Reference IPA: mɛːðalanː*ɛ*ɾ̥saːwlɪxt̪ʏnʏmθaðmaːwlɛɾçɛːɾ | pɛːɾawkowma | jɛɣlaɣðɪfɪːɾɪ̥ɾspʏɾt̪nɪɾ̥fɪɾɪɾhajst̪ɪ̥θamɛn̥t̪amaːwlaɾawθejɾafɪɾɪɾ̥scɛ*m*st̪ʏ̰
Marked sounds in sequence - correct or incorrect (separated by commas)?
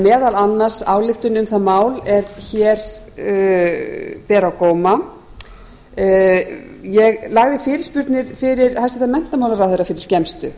incorrect, correct